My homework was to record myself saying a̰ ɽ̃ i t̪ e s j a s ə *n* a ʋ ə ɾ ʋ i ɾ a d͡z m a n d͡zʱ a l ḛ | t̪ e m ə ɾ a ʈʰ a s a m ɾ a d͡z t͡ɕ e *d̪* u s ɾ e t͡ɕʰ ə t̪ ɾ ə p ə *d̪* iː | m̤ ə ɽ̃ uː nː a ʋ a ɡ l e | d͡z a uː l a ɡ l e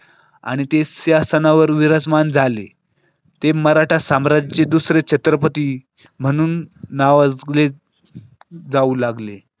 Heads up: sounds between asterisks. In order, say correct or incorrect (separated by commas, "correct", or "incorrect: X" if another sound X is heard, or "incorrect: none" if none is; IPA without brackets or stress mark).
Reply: correct, correct, incorrect: t̪